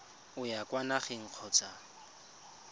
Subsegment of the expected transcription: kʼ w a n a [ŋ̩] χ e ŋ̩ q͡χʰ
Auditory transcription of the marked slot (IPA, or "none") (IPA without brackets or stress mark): none